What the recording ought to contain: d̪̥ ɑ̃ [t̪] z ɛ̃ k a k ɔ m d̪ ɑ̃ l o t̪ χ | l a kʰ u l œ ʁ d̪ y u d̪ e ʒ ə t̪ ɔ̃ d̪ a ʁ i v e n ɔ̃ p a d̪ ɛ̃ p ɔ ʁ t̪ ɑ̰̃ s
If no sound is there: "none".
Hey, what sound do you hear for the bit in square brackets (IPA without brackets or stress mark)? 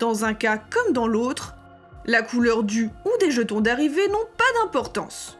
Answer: none